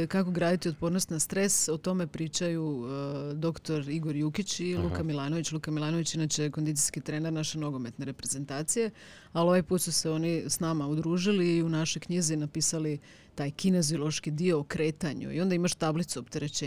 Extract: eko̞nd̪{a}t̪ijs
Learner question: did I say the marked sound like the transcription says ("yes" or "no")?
no